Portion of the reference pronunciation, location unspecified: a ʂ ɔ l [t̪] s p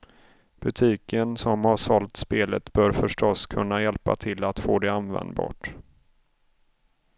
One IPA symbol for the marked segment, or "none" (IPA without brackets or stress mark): t̪